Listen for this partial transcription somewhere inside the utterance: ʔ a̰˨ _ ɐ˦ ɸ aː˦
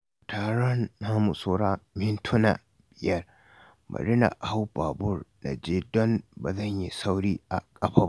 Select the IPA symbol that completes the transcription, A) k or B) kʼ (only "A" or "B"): B